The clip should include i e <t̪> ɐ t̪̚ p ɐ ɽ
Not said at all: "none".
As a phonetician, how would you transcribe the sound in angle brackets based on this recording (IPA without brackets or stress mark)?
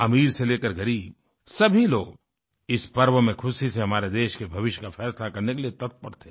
t̪